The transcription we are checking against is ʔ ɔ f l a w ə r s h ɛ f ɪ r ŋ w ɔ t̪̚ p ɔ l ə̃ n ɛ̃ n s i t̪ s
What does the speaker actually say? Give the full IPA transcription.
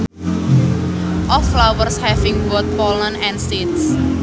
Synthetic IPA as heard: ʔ ɔ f l a w ə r s h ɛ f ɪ ŋ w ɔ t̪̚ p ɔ l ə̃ n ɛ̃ n s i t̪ s

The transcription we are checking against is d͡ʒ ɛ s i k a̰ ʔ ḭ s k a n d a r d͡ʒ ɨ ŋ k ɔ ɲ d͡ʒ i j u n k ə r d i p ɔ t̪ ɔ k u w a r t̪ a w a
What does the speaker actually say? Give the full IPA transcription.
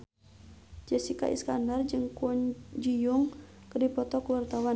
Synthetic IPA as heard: d͡ʒ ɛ s i k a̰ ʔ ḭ s k a n d a r d͡ʒ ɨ ŋ k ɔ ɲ d͡ʒ i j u ŋ k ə r d i p ɔ t̪ ɔ k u w a r t̪ a w a

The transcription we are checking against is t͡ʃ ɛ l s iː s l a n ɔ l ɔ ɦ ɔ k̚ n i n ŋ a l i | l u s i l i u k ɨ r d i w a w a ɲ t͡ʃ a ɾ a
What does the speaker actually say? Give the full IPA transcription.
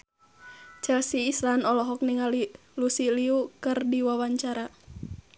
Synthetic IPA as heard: t͡ʃ ɛ l s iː s l a n ɔ l ɔ ɦ ɔ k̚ n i ŋ a l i | l u s i l i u k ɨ r d i w a w a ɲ t͡ʃ a ɾ a

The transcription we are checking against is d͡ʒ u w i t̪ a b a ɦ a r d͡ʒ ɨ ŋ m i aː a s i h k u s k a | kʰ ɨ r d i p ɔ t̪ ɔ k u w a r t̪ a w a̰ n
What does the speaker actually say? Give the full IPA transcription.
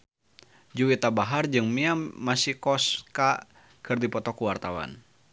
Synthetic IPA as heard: d͡ʒ u w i t̪ a b a ɦ a r d͡ʒ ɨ ŋ m i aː a s i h k ɔ s k a | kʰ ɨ r d i p ɔ t̪ ɔ k u w a r t̪ a w a̰ n

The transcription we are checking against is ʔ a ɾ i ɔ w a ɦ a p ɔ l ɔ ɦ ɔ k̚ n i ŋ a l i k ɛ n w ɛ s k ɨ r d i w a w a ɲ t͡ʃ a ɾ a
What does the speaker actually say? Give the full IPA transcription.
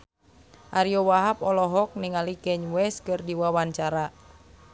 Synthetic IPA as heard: ʔ a ɾ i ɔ w a ɦ a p ɔ l ɔ ɦ ɔ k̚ n i ŋ a l i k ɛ ɲ w ɛ s k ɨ r d i w a w a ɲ t͡ʃ a ɾ a

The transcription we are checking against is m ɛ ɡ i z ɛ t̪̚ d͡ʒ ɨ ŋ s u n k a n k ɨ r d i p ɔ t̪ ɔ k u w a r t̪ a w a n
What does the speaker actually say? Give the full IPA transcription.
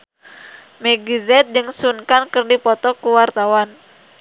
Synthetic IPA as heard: m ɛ ɡ i z ɛ t̪̚ d͡ʒ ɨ ŋ s u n k a n k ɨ r d i p ɔ t̪ ɔ k u w a r t̪ a w a n

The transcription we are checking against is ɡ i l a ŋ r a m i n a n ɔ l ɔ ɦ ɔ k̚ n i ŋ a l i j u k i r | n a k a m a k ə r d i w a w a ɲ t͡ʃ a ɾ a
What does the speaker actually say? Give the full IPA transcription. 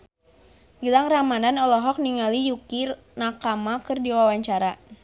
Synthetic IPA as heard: ɡ i l a ŋ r a m a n a n ɔ l ɔ ɦ ɔ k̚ n i ŋ a l i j u k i r | n a k a m a k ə r d i w a w a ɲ t͡ʃ a ɾ a

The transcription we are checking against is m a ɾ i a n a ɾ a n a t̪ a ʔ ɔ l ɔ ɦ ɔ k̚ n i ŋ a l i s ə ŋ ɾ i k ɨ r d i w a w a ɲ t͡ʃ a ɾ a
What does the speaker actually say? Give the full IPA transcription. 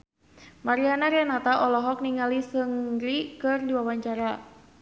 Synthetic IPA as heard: m a ɾ i a n a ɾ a n a t̪ a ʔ ɔ l ɔ ɦ ɔ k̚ n i ŋ a l i s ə ŋ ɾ i k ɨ r d i w a w a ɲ t͡ʃ a ɾ a

